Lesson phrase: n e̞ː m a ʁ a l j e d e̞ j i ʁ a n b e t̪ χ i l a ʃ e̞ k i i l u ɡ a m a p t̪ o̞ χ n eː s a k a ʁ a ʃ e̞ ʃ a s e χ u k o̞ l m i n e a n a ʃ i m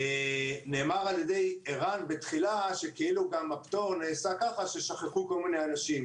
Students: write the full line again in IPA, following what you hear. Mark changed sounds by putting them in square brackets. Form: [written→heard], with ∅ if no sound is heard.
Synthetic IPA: n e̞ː m a ʁ a l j e d e̞ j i ʁ a n b e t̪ χ i l a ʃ e̞ k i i l u ɡ a m a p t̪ o̞ [χ→ʁ] n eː s a k a [ʁ→χ] a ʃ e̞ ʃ a [s→χ] e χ u k o̞ l m i n e a n a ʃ i m